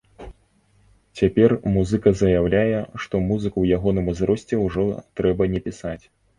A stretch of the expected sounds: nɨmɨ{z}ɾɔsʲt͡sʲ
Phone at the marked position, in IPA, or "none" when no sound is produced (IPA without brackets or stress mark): z